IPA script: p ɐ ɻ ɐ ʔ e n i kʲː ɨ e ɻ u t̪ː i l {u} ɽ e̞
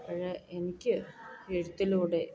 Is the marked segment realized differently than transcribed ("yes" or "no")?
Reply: yes